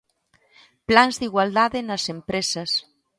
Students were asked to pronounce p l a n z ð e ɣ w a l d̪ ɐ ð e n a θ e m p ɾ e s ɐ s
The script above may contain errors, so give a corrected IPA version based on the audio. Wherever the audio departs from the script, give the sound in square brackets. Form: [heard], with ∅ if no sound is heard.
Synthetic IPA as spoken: p l a n z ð [i] ɣ w a l d̪ [a] ð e n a [s] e m p ɾ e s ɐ s